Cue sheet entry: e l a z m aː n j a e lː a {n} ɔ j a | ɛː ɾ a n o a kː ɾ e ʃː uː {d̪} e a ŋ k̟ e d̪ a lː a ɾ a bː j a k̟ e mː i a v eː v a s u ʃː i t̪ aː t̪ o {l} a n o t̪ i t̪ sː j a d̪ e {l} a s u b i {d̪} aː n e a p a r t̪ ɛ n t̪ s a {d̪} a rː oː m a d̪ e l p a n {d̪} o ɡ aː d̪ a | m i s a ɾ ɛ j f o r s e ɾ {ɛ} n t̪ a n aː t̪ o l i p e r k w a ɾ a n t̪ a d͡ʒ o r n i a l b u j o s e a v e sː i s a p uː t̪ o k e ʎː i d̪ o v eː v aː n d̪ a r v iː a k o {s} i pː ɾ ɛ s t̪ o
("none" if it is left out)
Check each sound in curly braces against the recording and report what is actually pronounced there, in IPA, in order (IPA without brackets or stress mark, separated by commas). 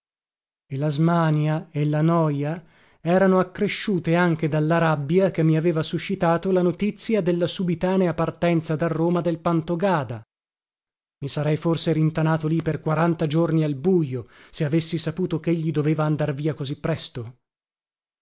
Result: n, t̪, l, lː, t̪, d̪, t̪, i, z